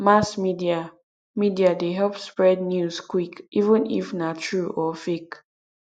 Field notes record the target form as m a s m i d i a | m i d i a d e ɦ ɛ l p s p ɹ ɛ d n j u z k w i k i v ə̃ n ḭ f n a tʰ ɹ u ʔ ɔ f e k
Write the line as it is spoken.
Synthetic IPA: m a s m i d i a | m i d i a d e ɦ ɛ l p s p ɹ ɛ d n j u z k w i k i v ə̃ n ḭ f n a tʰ ɹ u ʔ ɔ f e k